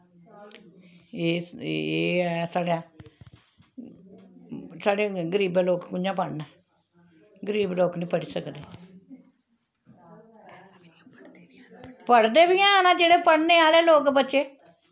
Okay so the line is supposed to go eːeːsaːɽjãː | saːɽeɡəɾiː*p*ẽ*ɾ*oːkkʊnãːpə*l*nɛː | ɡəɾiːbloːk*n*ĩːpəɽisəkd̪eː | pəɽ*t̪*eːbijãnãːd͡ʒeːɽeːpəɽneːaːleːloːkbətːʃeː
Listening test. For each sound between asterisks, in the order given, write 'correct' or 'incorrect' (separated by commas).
incorrect, incorrect, incorrect, correct, incorrect